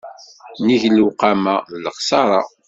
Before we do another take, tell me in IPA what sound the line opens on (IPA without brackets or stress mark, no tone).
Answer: n